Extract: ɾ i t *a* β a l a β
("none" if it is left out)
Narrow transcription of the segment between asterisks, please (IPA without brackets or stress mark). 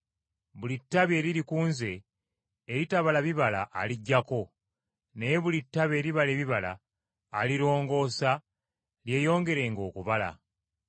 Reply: a